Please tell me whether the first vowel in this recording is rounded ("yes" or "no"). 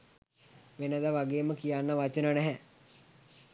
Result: no